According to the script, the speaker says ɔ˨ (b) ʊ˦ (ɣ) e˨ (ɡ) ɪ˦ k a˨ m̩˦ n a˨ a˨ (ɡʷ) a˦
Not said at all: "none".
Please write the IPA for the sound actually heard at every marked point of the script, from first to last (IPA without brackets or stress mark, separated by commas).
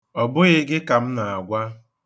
b, ɣ, ɡ, ɡʷ